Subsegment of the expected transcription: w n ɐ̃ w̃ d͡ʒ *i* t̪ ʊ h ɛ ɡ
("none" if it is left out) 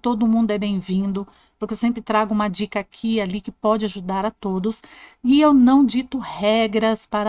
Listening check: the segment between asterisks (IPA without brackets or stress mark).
i